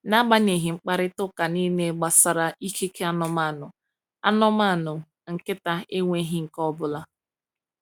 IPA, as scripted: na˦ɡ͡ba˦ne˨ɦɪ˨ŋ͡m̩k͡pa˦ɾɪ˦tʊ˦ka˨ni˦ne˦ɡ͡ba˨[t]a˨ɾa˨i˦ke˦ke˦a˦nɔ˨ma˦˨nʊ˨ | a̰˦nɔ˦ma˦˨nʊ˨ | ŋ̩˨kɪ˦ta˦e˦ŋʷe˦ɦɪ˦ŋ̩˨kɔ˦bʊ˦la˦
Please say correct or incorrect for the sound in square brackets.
incorrect